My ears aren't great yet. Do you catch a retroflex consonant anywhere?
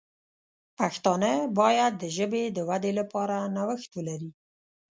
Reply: no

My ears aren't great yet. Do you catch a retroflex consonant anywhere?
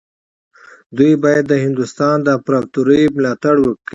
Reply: yes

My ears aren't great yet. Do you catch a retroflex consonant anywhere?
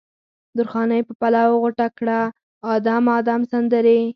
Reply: yes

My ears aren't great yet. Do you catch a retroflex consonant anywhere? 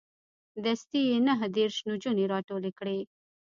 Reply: yes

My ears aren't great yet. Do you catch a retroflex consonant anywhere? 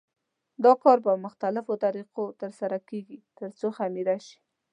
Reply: no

